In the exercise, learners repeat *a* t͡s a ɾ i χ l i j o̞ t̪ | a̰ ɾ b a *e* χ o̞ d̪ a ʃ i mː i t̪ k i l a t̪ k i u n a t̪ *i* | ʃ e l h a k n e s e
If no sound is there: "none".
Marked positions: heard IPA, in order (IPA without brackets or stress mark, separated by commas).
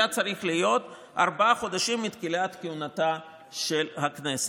a, a, a